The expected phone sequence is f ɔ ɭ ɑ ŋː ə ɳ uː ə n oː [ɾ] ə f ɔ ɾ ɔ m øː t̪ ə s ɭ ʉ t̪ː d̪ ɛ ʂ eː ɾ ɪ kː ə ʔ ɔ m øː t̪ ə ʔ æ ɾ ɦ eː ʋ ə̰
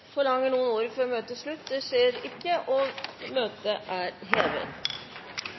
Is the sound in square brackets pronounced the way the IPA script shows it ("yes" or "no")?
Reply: yes